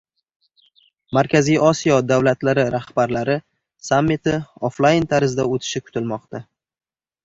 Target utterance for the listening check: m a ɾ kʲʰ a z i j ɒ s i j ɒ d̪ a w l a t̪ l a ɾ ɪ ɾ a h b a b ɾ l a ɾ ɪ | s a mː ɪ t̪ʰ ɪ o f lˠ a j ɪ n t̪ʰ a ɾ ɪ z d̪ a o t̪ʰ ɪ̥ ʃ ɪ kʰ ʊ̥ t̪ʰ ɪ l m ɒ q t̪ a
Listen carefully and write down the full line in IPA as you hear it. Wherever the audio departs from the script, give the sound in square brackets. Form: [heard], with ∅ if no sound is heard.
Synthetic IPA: m a ɾ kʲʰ a z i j ɒ s i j ɒ d̪ a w l a t̪ l a ɾ ɪ ɾ a h b a [∅] ɾ l a ɾ ɪ | s a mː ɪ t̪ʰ ɪ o f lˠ a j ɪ n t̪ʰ a ɾ ɪ z d̪ a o t̪ʰ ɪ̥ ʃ ɪ kʰ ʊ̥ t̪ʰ ɪ l m ɒ q t̪ a